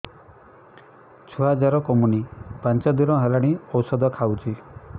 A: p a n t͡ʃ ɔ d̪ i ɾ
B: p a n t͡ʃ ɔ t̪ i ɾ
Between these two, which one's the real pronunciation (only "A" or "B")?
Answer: A